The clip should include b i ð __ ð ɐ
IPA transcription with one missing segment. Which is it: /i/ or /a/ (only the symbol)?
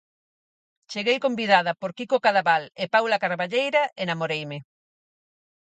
a